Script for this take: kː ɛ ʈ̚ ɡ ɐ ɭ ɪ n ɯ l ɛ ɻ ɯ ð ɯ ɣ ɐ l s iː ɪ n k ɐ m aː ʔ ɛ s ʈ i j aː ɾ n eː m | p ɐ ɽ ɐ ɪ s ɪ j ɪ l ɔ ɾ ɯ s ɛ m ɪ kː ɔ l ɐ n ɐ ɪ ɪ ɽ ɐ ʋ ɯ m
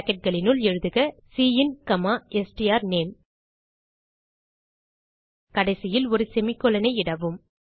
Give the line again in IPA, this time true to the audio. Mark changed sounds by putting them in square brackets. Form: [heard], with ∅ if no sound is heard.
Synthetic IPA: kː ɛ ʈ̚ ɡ ɐ ɭ ɪ n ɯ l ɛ ɻ ɯ ð ɯ ɣ ɐ [∅] s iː ɪ n k ɐ m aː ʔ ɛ s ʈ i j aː ɾ n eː m | [k] ɐ ɽ ɐ ɪ s ɪ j ɪ l ɔ ɾ ɯ s ɛ m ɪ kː ɔ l ɐ n ɐ ɪ ɪ ɽ ɐ ʋ ɯ m

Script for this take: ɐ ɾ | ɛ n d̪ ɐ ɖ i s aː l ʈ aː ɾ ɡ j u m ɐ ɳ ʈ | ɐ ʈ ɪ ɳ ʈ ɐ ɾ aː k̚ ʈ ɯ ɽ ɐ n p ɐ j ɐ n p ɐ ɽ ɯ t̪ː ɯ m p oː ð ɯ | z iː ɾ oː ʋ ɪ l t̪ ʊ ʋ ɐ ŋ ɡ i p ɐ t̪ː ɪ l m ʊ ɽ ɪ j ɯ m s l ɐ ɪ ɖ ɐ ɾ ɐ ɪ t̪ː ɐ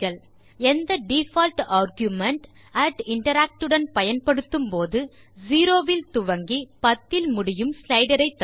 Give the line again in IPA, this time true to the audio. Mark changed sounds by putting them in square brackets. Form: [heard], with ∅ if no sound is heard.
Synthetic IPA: ɐ [ɭ] | ɛ n d̪ ɐ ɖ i [f] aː l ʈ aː ɾ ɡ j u m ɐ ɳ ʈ | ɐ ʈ ɪ ɳ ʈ ɐ ɾ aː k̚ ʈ ɯ ɽ ɐ n p ɐ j ɐ n p ɐ ɽ ɯ t̪ː ɯ m p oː ð ɯ | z iː ɾ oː ʋ ɪ l t̪ ʊ ʋ ɐ ŋ ɡ i p ɐ t̪ː ɪ l m ʊ ɽ ɪ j ɯ m s l ɐ ɪ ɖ ɐ ɾ ɐ ɪ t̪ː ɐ

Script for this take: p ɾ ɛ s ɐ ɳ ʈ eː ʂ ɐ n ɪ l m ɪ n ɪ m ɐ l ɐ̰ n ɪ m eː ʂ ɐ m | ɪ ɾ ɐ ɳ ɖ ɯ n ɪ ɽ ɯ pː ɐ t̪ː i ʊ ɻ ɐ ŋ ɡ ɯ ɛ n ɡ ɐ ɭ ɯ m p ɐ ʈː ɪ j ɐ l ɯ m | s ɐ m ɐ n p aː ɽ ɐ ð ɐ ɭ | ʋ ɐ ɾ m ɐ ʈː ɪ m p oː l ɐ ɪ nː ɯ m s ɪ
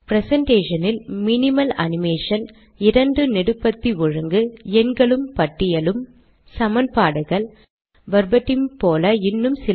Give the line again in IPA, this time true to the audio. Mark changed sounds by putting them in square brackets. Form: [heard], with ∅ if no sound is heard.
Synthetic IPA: p ɾ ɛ s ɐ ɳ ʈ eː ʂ ɐ n ɪ l m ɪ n ɪ m ɐ l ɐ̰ n ɪ m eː ʂ ɐ [n] | ɪ ɾ ɐ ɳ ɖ ɯ n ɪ ɽ ɯ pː ɐ t̪ː i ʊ ɻ ɐ ŋ ɡ ɯ ɛ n ɡ ɐ ɭ ɯ m p ɐ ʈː ɪ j ɐ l ɯ m | s ɐ m ɐ n p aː ɽ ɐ [ɣ] ɐ ɭ | ʋ ɐ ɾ [b] ɐ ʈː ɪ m p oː l ɐ ɪ nː ɯ m s ɪ

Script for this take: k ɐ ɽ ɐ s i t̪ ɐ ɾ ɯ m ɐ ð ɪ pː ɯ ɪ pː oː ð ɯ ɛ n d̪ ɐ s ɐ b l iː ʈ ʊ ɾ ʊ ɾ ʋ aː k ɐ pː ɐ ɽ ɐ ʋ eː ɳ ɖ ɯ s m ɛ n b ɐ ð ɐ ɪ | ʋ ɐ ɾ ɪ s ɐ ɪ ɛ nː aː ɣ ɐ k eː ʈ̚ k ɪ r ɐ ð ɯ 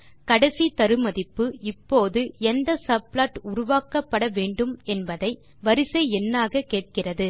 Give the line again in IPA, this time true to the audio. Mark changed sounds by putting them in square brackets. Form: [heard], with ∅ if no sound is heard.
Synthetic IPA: k ɐ ɽ ɐ s i t̪ ɐ ɾ ɯ m ɐ ð ɪ pː ɯ ɪ pː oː ð ɯ ɛ n d̪ ɐ s ɐ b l [aː] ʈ ʊ ɾ ʊ [∅] ʋ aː k ɐ pː ɐ ɽ ɐ ʋ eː ɳ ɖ ɯ [∅] m ɛ n b ɐ ð ɐ ɪ | ʋ ɐ ɾ ɪ s ɐ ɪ ɛ nː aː ɣ ɐ k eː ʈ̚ k ɪ r ɐ ð ɯ

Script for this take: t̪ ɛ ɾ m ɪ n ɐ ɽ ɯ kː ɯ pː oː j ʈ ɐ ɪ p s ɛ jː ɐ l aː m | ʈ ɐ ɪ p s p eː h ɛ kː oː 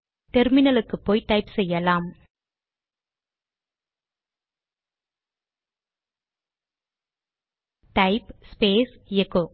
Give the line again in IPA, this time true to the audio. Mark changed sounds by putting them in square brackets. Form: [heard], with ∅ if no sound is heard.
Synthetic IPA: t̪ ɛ ɾ m ɪ n ɐ [l] ɯ kː ɯ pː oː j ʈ ɐ ɪ p s ɛ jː ɐ l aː m | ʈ ɐ ɪ p s p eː [s] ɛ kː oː

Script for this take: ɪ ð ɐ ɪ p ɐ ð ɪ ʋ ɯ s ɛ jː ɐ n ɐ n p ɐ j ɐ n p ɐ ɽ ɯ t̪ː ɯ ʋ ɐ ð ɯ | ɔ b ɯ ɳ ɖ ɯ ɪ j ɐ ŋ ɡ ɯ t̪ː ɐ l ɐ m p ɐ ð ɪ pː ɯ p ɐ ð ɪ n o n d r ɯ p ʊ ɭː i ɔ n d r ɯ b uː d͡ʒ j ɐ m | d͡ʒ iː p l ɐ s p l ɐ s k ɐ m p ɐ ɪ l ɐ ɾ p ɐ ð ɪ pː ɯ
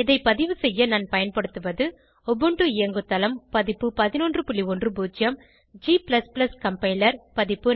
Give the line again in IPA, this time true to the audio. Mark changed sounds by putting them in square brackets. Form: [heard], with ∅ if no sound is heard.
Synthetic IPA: ɪ ð ɐ ɪ p ɐ ð ɪ ʋ ɯ s ɛ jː ɐ n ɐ n p ɐ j ɐ n p ɐ ɽ ɯ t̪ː ɯ ʋ ɐ ð ɯ | ɔ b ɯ ɳ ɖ ɯ ɪ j ɐ ŋ ɡ ɯ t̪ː ɐ l ɐ m p ɐ ð ɪ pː ɯ p ɐ ð ɪ n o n d r ɯ p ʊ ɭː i ɔ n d r ɯ b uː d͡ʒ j ɐ m | d͡ʒ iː p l ɐ s p l ɐ s k ɐ m p ɐ ɪ l ɐ ɾ p ɐ ð ɪ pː ɯ

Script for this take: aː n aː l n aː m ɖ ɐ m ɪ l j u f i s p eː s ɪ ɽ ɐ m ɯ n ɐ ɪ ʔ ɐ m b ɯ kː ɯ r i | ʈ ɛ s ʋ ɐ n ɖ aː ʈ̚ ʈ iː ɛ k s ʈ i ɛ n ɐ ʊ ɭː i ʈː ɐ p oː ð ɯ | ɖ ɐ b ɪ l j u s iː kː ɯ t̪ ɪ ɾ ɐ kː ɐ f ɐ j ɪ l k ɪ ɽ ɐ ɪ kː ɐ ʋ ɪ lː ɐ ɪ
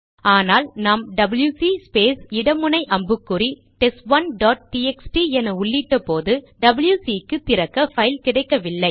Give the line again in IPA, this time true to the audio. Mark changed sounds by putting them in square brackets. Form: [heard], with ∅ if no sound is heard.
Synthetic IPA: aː n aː l n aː m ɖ ɐ [b] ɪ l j u [s] i s p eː s ɪ ɽ ɐ m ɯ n ɐ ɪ ʔ ɐ m b ɯ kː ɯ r i | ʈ ɛ s ʋ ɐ n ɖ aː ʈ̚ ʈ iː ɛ k s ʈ i ɛ n ɐ ʊ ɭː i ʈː ɐ p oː ð ɯ | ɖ ɐ b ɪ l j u s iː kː ɯ t̪ ɪ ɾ ɐ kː ɐ f ɐ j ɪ l k ɪ ɽ ɐ ɪ kː ɐ ʋ ɪ lː ɐ ɪ

